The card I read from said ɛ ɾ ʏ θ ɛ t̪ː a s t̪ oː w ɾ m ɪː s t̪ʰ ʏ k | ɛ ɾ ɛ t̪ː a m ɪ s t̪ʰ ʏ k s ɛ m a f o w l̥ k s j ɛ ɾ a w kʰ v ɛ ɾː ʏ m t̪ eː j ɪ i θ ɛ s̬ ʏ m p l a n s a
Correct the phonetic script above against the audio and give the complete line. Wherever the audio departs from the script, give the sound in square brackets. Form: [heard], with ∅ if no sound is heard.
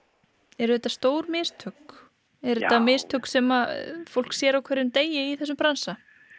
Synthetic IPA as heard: ɛ ɾ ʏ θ ɛ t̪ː a s t̪ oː w ɾ m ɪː s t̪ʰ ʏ k | ɛ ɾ ɛ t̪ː a m ɪ s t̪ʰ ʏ k s ɛ m a f o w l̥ k s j ɛ ɾ a w kʰ v ɛ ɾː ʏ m t̪ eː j ɪ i θ ɛ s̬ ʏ m p [ɾ] a n s a

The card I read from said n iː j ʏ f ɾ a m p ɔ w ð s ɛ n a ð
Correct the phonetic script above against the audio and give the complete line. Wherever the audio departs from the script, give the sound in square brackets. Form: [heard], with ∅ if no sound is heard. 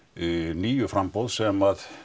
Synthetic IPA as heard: n iː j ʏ f ɾ a m p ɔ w ð s ɛ [m] a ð

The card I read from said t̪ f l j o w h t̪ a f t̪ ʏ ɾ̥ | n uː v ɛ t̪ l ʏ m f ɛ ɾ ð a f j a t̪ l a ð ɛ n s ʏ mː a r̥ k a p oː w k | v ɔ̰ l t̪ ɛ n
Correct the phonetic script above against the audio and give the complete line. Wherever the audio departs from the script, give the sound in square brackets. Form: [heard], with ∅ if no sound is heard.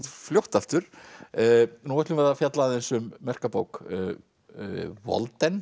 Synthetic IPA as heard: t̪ f l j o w h t̪ a f t̪ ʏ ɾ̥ | n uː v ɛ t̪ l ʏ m [v] ɛ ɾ ð a f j a t̪ l a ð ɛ n s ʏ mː [ɛ] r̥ k a p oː w k | v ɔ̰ l t̪ ɛ n

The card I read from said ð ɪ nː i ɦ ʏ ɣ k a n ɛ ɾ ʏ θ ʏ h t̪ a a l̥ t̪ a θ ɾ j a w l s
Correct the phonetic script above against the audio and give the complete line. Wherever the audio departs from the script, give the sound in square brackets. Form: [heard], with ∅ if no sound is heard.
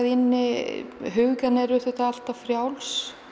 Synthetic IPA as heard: ð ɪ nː [ɪ] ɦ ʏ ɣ k a n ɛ ɾ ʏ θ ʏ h t̪ a a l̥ t̪ a [f] ɾ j a w l s

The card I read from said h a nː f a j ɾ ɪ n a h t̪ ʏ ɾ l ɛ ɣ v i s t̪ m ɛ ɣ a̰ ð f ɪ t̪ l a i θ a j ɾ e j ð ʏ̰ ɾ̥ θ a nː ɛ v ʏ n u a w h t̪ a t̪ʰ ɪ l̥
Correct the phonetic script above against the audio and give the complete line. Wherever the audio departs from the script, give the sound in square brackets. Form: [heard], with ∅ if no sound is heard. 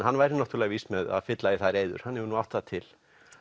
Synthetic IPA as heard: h a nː [v] a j ɾ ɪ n a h t̪ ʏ ɾ l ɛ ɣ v i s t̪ m ɛ [ð] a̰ ð f ɪ t̪ l a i θ a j ɾ e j ð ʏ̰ ɾ̥ [h] a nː ɛ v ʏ n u a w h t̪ a t̪ʰ ɪ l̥

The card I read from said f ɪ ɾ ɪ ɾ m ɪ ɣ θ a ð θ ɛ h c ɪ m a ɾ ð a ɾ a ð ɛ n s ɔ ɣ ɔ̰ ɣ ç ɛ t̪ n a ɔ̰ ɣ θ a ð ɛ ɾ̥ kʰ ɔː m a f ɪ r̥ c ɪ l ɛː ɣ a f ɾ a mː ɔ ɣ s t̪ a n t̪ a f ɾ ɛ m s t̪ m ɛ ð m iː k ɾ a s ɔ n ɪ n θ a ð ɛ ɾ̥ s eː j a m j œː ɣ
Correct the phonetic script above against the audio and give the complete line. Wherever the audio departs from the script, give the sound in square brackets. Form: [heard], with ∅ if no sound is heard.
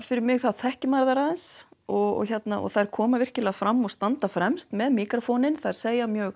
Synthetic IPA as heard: f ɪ ɾ ɪ ɾ m ɪ ɣ θ a ð θ ɛ h c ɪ m a ɾ ð a ɾ a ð ɛ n s ɔ ɣ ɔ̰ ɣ ç ɛ t̪ n a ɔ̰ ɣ θ a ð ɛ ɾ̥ kʰ ɔː m a [v] ɪ r̥ c ɪ l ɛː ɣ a f ɾ a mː ɔ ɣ s t̪ a n t̪ a f ɾ ɛ m s t̪ m ɛ ð m iː k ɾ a [f] ɔ n ɪ n θ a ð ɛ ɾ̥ s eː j a m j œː ɣ

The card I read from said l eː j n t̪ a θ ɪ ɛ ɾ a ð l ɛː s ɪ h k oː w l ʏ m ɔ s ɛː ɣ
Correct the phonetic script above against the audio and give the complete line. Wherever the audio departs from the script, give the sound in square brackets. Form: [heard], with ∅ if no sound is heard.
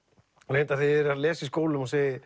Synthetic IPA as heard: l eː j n t̪ a θ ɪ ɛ ɾ a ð l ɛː s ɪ [s] k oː w l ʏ m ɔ s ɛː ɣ

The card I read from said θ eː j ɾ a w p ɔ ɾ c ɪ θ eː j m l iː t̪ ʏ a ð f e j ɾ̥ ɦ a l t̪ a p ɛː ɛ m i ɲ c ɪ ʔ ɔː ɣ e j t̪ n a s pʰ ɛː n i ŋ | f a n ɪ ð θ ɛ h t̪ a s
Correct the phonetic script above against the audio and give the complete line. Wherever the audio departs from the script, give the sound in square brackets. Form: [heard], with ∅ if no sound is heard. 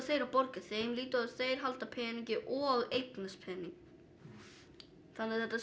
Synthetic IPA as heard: θ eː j ɾ a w p ɔ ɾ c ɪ θ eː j m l iː t̪ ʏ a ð [θ] e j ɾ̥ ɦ a l t̪ a [pʰ] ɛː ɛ [n] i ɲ c ɪ ʔ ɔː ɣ e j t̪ n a s pʰ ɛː n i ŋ | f a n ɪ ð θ ɛ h t̪ a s

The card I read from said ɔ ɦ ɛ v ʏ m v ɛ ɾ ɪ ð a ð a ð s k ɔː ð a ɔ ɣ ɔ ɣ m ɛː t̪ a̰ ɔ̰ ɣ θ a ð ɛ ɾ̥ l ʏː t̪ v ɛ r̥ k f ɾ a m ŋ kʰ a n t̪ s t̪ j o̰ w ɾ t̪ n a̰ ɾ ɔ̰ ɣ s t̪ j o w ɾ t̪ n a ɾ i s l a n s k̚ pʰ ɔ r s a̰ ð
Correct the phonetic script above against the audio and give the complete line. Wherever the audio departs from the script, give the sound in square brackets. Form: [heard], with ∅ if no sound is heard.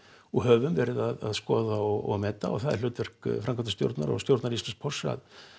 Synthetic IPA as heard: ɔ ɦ [œ] v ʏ m v ɛ ɾ ɪ ð a ð a ð s k ɔː ð a ɔ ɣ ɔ ɣ m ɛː t̪ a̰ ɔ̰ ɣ θ a ð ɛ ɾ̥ l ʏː t̪ v ɛ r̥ k f ɾ a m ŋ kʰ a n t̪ s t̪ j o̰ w ɾ t̪ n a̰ ɾ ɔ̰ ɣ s t̪ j o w ɾ t̪ n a ɾ i s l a n s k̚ pʰ ɔ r s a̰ ð

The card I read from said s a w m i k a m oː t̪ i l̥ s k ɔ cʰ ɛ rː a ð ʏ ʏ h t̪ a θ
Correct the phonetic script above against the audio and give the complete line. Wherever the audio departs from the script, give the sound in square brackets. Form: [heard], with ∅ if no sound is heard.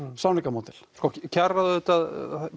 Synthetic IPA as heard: s a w [n] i k a m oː t̪ [ɪ] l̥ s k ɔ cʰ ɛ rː a ð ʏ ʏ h t̪ a [ð]

